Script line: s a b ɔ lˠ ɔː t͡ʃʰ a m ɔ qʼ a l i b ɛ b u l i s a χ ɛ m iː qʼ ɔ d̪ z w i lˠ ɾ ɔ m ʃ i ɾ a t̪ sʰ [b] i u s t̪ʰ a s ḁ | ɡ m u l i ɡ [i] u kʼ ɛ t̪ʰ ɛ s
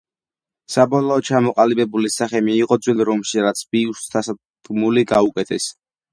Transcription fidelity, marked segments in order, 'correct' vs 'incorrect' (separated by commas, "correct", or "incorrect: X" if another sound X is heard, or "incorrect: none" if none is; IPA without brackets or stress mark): correct, incorrect: a